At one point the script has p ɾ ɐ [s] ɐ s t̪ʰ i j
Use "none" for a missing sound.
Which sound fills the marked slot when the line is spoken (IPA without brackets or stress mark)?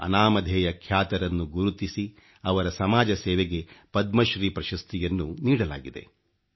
ʃ